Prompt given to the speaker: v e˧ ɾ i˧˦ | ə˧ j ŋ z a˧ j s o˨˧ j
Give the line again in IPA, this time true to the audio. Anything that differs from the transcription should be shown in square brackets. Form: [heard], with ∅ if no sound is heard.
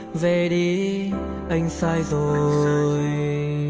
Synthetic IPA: v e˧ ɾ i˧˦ | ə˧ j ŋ [s] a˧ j [z] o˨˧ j